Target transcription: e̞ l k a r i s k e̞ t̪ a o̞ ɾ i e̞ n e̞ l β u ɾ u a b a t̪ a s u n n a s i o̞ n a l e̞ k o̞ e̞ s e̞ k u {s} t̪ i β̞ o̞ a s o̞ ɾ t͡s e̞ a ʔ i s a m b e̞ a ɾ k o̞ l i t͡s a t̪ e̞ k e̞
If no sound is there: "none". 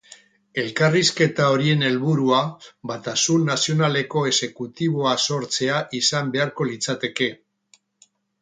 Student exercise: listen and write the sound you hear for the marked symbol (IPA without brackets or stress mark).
none